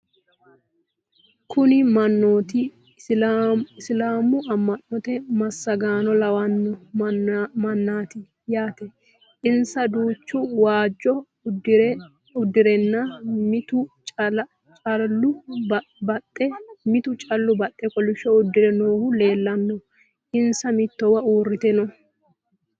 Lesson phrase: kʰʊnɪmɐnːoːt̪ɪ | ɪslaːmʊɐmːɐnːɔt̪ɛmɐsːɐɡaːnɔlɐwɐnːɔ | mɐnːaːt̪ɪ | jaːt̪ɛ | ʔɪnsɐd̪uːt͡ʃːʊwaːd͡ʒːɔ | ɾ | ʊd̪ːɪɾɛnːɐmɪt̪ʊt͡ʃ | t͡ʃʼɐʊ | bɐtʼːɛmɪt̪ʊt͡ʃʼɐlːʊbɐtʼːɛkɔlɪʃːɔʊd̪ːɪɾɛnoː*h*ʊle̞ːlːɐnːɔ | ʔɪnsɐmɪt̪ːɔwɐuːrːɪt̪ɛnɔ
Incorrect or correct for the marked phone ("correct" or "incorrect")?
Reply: correct